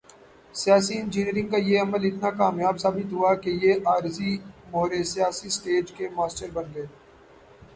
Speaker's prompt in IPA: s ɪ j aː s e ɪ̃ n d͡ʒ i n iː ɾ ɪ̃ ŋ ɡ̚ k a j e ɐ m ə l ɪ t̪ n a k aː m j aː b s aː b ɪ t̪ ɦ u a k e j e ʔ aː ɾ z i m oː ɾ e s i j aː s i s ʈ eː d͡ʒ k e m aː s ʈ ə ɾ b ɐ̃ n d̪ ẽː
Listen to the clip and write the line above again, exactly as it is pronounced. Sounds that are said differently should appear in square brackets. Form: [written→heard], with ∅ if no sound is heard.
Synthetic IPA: s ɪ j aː s [e→i] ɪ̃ n d͡ʒ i n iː ɾ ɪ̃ ŋ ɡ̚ k a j e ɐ m ə l ɪ t̪ n a k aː m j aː b s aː b ɪ t̪ ɦ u a k e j e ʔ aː ɾ z i m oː ɾ e s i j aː s i s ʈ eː d͡ʒ k e m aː s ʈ ə ɾ b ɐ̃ n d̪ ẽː